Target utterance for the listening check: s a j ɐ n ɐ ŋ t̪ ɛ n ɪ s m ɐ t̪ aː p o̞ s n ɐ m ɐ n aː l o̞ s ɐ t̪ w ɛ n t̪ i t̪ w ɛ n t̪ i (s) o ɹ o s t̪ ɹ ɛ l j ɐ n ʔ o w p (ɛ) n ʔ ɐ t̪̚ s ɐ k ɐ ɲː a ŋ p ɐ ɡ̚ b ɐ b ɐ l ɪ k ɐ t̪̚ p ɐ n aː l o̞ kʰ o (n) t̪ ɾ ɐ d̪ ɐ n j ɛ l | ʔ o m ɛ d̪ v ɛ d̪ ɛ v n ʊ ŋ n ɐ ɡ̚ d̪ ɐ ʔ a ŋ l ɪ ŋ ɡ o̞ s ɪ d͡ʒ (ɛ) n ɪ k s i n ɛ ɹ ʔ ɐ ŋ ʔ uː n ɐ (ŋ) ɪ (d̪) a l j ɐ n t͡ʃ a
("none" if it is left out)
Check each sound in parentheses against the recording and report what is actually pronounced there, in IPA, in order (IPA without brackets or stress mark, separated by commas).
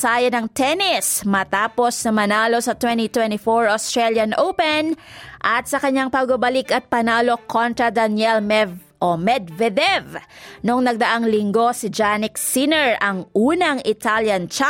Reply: f, ɛ, n, a, ŋ, t̪